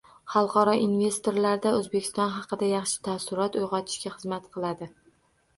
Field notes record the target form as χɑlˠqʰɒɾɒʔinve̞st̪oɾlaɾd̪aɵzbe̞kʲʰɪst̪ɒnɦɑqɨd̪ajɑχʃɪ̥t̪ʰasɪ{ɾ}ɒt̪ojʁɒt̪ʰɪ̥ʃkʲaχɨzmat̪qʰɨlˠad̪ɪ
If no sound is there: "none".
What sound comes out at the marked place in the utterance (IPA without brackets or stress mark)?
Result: ɾ